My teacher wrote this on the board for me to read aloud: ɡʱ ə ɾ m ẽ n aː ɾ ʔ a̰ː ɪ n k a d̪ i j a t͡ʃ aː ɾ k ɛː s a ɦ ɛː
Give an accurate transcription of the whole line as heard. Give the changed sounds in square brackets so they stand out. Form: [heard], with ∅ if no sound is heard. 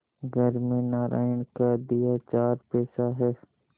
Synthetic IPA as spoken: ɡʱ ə ɾ m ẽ n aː ɾ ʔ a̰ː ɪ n k a d̪ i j a t͡ʃ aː ɾ [p] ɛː s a ɦ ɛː